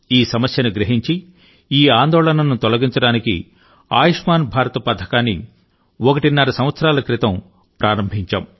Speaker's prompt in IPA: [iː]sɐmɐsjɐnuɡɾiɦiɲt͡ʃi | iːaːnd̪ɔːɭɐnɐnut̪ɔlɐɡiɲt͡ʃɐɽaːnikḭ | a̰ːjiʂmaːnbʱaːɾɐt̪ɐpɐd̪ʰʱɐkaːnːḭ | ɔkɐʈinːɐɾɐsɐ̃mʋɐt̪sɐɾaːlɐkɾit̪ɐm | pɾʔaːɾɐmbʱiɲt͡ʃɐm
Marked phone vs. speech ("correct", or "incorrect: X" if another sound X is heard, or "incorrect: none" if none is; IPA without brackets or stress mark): correct